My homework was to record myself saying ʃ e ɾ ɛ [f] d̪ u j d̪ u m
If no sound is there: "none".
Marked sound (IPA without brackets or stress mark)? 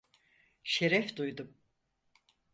f